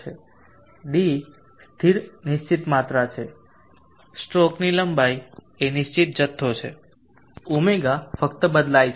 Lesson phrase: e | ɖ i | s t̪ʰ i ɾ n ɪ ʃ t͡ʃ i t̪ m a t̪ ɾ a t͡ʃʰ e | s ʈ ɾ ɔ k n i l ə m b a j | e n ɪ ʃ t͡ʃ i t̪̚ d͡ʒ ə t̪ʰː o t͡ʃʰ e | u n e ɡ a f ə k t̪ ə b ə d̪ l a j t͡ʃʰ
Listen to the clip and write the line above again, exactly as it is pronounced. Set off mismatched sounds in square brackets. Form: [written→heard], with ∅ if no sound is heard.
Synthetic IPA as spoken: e | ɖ i | s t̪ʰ i ɾ n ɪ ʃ t͡ʃ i t̪ m a t̪ ɾ a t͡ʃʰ e | s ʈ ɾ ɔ k n i l ə m b a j | e n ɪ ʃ t͡ʃ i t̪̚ d͡ʒ ə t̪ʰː o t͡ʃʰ e | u [n→m] e ɡ a f ə k t̪ ə b ə d̪ l a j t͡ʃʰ